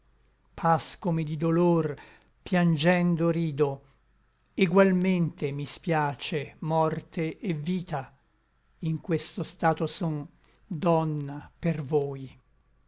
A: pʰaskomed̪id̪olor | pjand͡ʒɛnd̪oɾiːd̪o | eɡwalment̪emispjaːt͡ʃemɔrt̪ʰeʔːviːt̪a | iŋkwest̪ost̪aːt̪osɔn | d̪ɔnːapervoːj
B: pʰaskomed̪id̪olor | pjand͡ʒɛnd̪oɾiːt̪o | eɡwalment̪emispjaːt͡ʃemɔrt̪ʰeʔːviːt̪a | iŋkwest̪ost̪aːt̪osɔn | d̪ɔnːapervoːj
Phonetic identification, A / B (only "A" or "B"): A